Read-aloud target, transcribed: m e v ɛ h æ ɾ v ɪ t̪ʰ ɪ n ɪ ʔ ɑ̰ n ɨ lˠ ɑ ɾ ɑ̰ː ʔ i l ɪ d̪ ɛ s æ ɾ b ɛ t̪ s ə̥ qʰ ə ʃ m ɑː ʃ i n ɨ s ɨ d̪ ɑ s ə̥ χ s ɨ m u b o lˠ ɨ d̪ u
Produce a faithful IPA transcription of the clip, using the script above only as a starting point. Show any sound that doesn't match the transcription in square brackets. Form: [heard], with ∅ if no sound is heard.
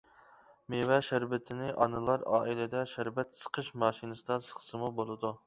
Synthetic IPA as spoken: m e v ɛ [ʃ] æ ɾ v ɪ t̪ʰ ɪ n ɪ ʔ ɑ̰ n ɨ lˠ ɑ ɾ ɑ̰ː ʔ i l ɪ d̪ ɛ [ʃ] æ ɾ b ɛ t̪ s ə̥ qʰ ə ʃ m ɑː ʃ i n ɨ s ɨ d̪ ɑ s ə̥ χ s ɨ m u b o lˠ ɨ d̪ u